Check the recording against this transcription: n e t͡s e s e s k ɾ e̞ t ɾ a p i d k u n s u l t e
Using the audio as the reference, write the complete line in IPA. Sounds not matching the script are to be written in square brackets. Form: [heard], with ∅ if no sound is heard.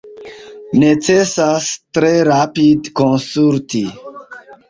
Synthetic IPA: n e t͡s e s [a] s [t] ɾ e̞ [∅] ɾ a p i d k [o] n s u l t [i]